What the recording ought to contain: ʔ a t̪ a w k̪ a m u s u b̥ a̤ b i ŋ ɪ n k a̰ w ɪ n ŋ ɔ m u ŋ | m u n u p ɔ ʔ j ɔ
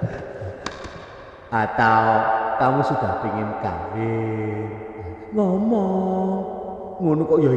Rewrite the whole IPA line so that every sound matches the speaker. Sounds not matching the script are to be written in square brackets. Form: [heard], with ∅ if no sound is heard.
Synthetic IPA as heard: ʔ a t̪ a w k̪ a m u s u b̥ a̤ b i ŋ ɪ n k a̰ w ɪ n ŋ ɔ m [ɔ] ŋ | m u n u [k] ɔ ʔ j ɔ